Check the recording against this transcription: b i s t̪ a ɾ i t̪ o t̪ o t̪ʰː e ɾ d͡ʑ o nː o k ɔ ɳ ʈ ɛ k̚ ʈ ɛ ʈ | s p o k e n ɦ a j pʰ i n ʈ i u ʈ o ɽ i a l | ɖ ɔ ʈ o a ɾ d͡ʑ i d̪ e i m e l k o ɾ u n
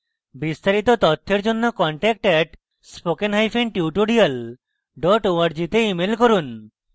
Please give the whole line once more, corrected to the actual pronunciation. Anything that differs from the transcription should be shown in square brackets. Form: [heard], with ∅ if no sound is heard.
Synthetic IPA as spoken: b i s t̪ a ɾ i t̪ o t̪ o t̪ʰː e ɾ d͡ʑ o nː o k ɔ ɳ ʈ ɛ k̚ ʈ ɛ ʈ | s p o k e n ɦ a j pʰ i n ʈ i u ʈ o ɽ i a l | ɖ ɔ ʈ o a ɾ d͡ʑ i [t̪] e i m e l k o ɾ u n

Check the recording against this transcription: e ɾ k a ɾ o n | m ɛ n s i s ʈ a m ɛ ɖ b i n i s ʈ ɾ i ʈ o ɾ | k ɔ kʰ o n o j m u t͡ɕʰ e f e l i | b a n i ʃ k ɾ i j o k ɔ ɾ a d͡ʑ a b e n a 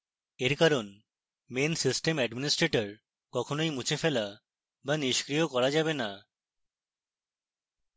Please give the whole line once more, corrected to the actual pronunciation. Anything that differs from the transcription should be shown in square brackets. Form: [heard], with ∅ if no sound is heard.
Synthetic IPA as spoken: e ɾ k a ɾ o n | m [e] n s i s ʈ [e] m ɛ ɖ [m] i n i s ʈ ɾ [e] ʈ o ɾ | k ɔ kʰ o n o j m u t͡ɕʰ e f e l [a] | b a n i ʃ k ɾ i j o k ɔ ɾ a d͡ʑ a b e n a

